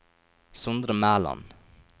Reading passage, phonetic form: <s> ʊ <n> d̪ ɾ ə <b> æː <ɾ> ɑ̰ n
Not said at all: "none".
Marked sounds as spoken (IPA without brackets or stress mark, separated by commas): s, n, m, l